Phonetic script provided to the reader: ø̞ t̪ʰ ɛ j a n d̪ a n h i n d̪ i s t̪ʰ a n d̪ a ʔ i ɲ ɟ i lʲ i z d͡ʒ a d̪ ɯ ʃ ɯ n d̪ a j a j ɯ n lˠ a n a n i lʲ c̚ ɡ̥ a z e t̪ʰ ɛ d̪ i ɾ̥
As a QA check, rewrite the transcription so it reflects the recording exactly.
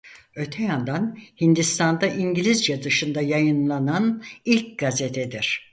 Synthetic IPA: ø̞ t̪ʰ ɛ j a n d̪ a n h i n d̪ i s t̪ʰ a n d̪ a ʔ i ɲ ɟ i lʲ i z d͡ʒ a d̪ ɯ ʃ ɯ n d̪ a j a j ɯ n lˠ a n a n i lʲ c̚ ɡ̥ a z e t̪ʰ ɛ d̪ i ɾ̥